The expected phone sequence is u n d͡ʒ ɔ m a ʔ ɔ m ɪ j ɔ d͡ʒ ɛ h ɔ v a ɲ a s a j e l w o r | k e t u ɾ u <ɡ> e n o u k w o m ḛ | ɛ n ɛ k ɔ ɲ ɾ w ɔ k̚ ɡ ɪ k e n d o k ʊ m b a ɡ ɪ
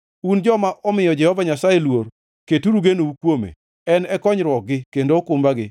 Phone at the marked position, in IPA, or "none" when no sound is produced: ɡ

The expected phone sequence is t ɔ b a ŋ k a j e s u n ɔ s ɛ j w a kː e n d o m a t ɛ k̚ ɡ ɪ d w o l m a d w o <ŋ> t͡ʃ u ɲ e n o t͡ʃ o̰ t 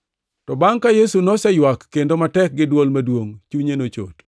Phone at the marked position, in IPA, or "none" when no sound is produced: ŋ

